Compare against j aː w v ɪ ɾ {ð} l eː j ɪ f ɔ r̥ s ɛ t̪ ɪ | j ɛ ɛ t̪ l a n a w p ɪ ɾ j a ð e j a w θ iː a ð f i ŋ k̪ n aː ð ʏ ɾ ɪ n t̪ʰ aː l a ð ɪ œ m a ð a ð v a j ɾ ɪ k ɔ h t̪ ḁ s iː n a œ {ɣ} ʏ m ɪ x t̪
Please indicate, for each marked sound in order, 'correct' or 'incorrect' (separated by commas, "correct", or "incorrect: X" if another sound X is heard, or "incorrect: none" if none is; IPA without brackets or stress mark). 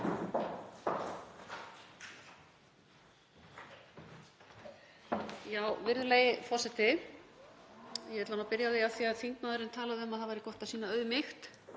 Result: correct, incorrect: ð